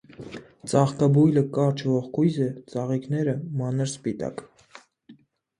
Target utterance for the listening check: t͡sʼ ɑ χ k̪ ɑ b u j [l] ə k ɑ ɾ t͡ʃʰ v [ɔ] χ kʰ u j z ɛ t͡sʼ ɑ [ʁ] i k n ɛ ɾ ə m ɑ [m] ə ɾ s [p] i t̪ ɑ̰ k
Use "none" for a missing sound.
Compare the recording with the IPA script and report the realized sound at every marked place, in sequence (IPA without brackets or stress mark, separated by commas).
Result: l, ɔ, ʁ, n, p